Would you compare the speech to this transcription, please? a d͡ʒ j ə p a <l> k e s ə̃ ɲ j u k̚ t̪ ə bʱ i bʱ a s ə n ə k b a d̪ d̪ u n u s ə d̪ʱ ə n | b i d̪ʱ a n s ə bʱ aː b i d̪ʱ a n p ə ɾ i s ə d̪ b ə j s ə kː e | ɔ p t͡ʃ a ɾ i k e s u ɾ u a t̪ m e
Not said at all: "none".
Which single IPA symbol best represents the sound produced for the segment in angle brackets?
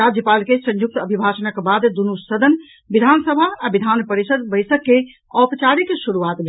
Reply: l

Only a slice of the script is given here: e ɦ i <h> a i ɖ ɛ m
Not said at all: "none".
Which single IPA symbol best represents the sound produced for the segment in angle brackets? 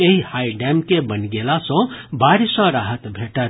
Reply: h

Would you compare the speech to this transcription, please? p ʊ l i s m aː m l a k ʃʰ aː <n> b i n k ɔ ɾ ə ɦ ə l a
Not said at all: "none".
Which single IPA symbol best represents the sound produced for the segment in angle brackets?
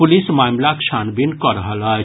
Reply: n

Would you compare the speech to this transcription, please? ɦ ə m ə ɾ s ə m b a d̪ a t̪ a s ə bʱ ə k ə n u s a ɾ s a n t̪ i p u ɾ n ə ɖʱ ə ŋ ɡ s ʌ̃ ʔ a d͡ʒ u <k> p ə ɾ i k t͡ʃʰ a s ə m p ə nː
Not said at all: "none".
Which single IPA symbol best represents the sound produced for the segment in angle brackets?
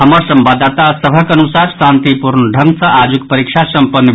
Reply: k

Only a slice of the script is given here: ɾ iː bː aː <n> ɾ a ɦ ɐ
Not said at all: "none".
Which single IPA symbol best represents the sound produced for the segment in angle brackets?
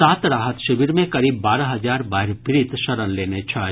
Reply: none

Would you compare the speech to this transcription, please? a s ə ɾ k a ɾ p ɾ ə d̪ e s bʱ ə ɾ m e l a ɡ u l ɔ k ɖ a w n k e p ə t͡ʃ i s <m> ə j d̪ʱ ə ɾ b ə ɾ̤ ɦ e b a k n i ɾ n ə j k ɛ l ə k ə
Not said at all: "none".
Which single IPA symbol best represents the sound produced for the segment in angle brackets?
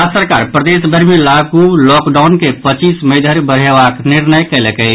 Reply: m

